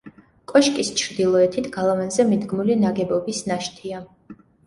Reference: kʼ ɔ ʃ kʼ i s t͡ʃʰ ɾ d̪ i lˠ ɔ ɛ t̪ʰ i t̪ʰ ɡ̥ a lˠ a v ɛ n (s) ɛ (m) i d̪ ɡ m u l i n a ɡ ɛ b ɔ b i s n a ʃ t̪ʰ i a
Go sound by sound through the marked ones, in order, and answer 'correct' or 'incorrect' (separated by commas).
incorrect, correct